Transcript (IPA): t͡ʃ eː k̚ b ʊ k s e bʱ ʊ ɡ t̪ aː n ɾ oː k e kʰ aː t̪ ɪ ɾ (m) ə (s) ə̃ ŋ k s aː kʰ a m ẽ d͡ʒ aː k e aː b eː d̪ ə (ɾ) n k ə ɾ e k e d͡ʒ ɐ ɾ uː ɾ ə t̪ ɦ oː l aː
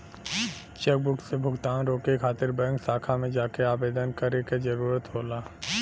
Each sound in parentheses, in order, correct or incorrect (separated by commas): incorrect, incorrect, incorrect